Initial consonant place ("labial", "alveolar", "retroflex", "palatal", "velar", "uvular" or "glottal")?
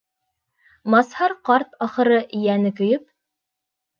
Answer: labial